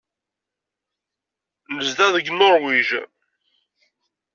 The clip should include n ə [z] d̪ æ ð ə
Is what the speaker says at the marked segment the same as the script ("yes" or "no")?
yes